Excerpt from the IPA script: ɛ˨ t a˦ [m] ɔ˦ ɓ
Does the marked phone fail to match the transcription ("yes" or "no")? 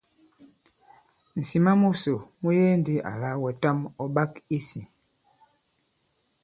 no